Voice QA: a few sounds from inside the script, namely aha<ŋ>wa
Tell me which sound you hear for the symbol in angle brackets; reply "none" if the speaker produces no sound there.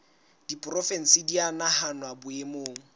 n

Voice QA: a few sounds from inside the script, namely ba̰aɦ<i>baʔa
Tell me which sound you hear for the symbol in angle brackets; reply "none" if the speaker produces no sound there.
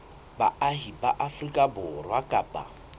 i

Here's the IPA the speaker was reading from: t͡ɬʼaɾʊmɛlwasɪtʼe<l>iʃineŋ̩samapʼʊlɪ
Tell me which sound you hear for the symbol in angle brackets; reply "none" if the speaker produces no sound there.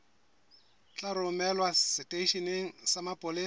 none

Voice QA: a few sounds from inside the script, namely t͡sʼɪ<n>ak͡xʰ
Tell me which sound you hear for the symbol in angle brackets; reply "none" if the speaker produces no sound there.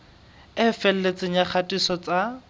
ɲ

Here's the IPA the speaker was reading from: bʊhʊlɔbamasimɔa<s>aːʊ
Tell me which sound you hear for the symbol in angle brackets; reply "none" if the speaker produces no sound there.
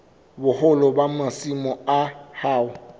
h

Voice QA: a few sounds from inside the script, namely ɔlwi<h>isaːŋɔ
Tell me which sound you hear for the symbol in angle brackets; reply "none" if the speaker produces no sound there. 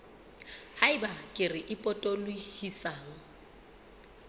h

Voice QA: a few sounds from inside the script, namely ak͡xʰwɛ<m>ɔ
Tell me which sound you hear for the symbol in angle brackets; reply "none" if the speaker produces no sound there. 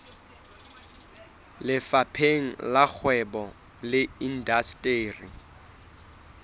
b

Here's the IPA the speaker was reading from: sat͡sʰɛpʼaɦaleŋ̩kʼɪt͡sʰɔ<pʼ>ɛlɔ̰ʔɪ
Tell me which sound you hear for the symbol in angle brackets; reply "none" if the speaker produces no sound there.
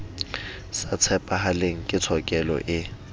kʼ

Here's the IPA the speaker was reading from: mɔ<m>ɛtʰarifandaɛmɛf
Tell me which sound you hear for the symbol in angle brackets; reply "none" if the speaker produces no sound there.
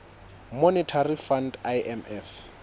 n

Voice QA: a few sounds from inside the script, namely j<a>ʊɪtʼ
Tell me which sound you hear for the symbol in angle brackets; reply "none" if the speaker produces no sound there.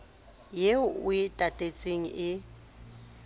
e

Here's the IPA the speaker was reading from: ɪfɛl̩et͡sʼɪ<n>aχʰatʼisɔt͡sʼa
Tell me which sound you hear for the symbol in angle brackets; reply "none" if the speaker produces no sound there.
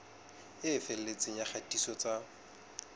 ɲ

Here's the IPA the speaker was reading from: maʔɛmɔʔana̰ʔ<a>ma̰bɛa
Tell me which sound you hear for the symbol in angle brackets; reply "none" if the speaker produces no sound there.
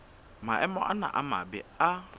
a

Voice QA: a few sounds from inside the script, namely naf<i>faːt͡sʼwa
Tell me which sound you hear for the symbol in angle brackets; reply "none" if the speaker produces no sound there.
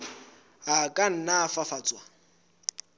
a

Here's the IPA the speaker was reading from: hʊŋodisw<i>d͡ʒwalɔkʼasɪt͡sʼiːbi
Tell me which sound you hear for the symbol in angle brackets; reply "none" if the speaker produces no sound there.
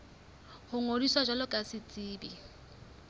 a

